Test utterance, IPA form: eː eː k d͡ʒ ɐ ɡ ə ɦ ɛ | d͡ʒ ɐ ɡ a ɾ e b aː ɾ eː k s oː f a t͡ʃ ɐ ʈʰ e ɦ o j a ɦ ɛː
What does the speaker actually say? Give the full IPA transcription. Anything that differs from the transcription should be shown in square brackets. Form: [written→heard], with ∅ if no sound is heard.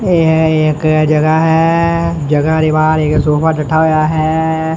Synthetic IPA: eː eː k d͡ʒ ɐ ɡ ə ɦ ɛ | d͡ʒ ɐ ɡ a ɾ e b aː ɾ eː k s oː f a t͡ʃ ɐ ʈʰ [e→a] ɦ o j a ɦ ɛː